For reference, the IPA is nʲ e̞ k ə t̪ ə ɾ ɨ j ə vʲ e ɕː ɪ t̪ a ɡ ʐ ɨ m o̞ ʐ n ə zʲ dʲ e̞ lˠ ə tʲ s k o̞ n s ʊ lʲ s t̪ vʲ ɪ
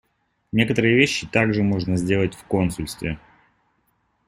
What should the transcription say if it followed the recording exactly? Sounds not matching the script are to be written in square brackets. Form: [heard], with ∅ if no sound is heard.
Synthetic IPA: nʲ e̞ k ə t̪ ə ɾ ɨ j ə vʲ e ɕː ɪ t̪ a ɡ ʐ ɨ m o̞ ʐ n ə zʲ dʲ e̞ lˠ ə tʲ [f] k o̞ n s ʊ lʲ s t̪ vʲ ɪ